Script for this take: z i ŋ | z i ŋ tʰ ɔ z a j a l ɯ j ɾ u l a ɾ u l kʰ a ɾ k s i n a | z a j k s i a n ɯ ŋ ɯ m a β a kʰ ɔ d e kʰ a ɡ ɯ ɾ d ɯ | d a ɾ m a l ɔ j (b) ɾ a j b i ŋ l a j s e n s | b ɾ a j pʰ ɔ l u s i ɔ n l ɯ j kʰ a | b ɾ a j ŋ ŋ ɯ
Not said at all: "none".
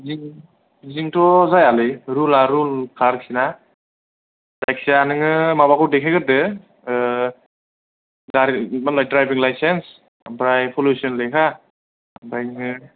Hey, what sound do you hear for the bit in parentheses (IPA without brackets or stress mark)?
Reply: d